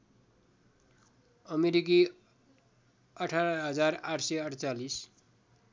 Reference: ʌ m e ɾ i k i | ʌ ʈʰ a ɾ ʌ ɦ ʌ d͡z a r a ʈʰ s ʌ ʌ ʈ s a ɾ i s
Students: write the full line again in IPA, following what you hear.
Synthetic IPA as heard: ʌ m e ɾ i k i | ʌ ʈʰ a ɾ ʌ ɦ ʌ d͡z a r a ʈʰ s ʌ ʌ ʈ t͡s a l i s